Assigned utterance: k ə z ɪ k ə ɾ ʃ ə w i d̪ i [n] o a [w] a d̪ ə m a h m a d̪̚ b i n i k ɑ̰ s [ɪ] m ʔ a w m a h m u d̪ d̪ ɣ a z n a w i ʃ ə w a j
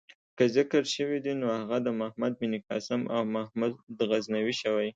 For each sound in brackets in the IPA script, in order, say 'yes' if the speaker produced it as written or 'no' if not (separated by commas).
yes, no, yes